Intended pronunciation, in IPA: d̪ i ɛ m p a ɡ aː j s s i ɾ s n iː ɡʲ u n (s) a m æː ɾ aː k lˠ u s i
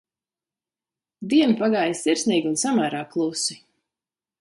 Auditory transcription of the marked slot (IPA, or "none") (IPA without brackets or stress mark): s